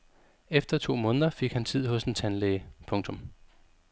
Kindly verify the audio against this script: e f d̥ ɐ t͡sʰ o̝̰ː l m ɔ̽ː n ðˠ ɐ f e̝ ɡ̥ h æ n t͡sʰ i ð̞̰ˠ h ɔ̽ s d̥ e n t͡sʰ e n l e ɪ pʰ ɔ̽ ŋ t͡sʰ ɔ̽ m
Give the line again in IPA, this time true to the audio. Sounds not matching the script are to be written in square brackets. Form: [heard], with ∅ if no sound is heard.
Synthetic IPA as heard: e f d̥ ɐ t͡sʰ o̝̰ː [∅] m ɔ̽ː n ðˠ ɐ f e̝ ɡ̥ h æ n t͡sʰ i ð̞̰ˠ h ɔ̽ s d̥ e n t͡sʰ [æ] n l e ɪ pʰ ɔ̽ ŋ t͡sʰ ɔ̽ m

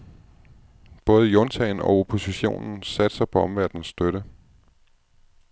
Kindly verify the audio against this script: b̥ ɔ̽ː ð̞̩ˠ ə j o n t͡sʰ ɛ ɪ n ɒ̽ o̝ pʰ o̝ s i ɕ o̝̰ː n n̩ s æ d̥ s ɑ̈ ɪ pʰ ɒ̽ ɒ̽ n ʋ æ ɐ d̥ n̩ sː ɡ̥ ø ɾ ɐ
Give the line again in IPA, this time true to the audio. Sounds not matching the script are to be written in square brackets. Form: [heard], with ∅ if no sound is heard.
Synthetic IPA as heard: b̥ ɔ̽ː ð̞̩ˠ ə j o n t͡sʰ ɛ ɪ n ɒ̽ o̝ pʰ o̝ s i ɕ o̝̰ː n n̩ s æ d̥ s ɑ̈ ɪ pʰ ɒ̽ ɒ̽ [m] ʋ æ ɐ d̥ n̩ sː [d̥] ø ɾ [ə]

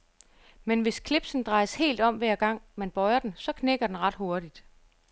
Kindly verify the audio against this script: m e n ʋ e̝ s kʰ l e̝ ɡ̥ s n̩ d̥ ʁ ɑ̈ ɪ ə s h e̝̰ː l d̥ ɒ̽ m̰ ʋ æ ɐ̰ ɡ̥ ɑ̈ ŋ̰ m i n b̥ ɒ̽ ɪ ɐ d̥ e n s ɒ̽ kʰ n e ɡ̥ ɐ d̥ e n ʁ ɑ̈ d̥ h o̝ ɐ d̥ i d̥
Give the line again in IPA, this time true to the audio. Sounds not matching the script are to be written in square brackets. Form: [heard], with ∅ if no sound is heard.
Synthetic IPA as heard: m e n ʋ e̝ s kʰ l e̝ [b̥] s n̩ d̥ ʁ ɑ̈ ɪ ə s h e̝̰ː l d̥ ɒ̽ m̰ ʋ æ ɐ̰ ɡ̥ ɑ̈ ŋ̰ m [æ] n b̥ ɒ̽ ɪ ɐ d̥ e n s ɒ̽ kʰ n e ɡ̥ ɐ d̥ e n ʁ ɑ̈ d̥ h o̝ ɐ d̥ i d̥

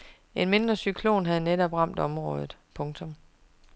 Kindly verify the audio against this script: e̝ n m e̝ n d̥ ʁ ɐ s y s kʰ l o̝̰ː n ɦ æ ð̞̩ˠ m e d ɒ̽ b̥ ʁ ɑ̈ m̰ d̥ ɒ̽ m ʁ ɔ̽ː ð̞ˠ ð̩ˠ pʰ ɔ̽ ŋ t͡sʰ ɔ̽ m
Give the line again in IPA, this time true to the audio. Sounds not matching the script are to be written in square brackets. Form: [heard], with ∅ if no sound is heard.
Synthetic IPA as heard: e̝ n m e̝ n d̥ ʁ ɐ s y [∅] kʰ l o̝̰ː n ɦ æ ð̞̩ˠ [n] e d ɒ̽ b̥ ʁ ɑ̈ m̰ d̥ ɒ̽ m ʁ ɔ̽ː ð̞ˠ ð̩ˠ pʰ ɔ̽ ŋ t͡sʰ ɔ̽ m

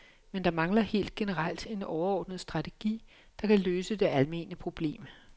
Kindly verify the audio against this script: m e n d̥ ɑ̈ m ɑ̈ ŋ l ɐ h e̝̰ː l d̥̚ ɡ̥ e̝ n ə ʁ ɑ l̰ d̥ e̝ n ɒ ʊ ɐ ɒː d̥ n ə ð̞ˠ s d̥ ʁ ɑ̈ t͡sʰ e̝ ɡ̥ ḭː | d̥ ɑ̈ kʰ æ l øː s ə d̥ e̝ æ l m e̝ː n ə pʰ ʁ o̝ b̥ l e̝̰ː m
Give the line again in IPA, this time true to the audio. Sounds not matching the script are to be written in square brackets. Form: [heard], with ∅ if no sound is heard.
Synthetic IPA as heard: m e n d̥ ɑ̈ m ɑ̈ ŋ l ɐ h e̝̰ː l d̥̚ ɡ̥ e̝ n ə ʁ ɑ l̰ d̥ e̝ n ɒ ʊ ɐ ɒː d̥ n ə ð̞ˠ s d̥ ʁ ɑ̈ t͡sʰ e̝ ɡ̥ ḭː | d̥ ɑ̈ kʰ æ l øː s ə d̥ e̝ æ l m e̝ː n ə pʰ ʁ o̝ b̥ l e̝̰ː m

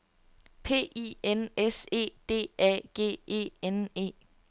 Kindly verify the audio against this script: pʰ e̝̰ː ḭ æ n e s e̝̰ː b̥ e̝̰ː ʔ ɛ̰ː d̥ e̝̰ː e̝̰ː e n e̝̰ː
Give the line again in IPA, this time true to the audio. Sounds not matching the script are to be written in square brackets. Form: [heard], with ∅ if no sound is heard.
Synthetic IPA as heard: pʰ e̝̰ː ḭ [e] n e s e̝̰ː [d̥] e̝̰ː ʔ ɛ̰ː [ɡ̥] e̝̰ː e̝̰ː e n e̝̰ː

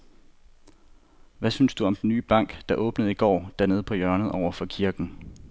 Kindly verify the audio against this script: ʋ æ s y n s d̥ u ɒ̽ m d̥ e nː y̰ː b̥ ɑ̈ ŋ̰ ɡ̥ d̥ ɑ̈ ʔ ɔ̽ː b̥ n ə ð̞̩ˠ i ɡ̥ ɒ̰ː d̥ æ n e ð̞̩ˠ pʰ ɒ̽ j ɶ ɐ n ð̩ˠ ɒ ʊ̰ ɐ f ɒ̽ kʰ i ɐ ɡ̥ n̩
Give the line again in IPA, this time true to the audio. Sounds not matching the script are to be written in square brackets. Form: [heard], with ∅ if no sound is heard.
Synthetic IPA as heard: ʋ æ s y n s d̥ u ɒ̽ m d̥ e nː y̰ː b̥ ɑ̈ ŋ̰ ɡ̥ d̥ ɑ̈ ʔ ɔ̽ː b̥ n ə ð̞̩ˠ i ɡ̥ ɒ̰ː d̥ æ n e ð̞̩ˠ pʰ ɒ̽ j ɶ ɐ n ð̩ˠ ɒ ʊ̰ ɐ f ɒ̽ kʰ i ɐ ɡ̥ n̩

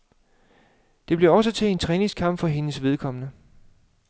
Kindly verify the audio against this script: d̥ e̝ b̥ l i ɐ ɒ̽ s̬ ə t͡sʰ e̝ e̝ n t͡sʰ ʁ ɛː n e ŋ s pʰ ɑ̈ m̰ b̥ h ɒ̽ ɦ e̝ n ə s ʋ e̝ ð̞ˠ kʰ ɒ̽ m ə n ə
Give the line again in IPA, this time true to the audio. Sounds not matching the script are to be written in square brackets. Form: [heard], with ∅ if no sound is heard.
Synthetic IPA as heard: d̥ e̝ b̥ l i ɐ ɒ̽ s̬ ə t͡sʰ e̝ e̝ n t͡sʰ ʁ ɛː n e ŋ s [kʰ] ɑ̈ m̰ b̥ [f] ɒ̽ ɦ e̝ n ə s ʋ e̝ ð̞ˠ kʰ ɒ̽ m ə n ə

